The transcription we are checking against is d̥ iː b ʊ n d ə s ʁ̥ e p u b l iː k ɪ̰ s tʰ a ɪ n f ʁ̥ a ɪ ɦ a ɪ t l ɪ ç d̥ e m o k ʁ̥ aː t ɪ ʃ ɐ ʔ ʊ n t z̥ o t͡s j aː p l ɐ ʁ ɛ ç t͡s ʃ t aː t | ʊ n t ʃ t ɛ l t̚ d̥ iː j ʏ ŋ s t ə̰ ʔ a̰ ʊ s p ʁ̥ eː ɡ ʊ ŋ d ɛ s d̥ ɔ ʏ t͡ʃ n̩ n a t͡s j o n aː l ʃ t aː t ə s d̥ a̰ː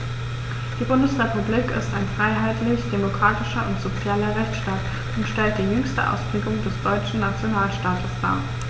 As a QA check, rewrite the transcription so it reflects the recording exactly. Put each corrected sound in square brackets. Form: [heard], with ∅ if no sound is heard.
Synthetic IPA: d̥ iː b ʊ n d ə s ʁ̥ e p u b l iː k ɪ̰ s [t] a ɪ n f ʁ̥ a ɪ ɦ a ɪ t l ɪ ç d̥ e m o k ʁ̥ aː t ɪ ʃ ɐ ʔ ʊ n t z̥ o t͡s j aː [∅] l ɐ ʁ ɛ ç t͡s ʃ t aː t | ʊ n t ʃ t ɛ l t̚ d̥ iː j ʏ ŋ s t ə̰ ʔ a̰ ʊ s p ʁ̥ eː ɡ ʊ ŋ d ɛ s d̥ ɔ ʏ t͡ʃ n̩ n a t͡s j o n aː l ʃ t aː t ə s d̥ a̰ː